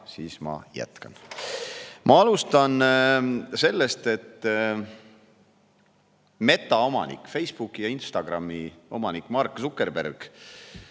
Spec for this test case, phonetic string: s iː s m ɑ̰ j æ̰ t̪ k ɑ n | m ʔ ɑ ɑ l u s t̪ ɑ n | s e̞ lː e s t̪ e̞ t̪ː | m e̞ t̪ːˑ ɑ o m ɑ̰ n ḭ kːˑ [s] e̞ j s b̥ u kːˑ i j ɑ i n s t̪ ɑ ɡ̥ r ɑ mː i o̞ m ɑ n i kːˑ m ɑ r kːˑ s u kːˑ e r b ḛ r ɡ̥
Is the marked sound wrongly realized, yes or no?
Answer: yes